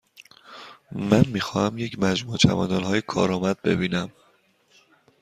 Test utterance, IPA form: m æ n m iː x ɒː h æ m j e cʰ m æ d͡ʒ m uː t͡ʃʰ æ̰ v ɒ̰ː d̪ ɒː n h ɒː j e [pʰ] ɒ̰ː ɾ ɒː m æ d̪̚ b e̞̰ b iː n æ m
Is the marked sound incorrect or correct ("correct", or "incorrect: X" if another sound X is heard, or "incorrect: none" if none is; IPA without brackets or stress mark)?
incorrect: kʰ